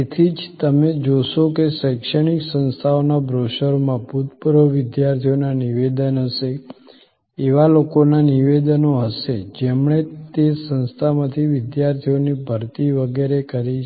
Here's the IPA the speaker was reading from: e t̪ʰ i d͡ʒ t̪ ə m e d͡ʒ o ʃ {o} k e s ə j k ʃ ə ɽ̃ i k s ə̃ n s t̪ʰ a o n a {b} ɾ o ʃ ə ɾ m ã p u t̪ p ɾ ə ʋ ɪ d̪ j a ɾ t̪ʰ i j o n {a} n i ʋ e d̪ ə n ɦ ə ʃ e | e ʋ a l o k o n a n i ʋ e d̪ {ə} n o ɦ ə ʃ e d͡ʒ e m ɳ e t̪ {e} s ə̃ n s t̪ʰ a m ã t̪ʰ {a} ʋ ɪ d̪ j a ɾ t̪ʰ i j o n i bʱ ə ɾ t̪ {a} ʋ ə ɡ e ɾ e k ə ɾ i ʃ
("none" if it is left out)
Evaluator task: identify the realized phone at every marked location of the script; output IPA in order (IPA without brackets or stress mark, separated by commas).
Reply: o, b, a, ə, e, i, i